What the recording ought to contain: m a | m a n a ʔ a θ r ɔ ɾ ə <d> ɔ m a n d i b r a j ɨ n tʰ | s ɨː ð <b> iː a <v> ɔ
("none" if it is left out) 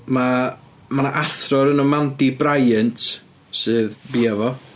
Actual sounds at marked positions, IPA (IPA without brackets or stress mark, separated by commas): n, b, v